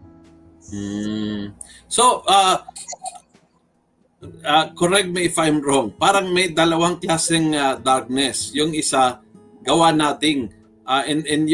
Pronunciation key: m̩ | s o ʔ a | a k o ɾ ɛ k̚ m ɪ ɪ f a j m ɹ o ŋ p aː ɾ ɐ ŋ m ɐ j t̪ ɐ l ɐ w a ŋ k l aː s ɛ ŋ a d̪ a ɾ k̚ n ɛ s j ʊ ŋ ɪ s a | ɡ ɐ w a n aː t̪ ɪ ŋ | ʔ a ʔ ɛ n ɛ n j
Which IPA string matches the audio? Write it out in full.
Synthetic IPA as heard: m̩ | s o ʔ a | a k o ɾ ɛ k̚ m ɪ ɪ f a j m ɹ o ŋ p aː ɾ ɐ ŋ m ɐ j d̪ ɐ l ɐ w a ŋ k l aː s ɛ ŋ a d̪ a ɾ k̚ n ɛ s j ʊ ŋ ɪ s a | ɡ ɐ w a n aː t̪ ɪ ŋ | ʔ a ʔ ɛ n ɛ n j